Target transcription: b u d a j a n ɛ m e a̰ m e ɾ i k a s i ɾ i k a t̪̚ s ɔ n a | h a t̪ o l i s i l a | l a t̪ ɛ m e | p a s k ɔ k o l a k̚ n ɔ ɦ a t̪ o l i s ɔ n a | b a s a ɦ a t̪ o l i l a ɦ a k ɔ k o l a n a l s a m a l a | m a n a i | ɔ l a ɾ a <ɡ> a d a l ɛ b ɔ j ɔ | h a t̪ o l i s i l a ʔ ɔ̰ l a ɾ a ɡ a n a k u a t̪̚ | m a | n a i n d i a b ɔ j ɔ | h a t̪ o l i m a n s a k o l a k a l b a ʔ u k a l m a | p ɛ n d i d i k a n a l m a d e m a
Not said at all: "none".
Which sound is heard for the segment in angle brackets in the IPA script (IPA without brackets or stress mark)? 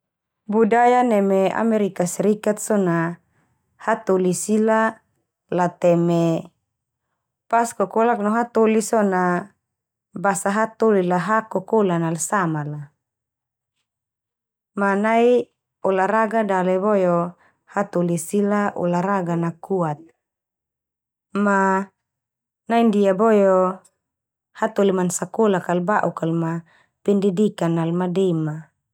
ɡ